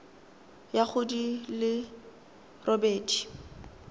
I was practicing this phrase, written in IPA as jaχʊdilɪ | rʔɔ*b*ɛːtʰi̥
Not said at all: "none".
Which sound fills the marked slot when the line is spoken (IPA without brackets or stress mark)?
b